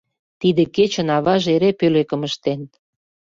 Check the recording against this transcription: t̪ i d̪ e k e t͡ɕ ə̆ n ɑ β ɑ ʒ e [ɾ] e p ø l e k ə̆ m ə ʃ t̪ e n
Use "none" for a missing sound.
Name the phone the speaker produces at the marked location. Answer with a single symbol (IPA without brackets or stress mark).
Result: ɾ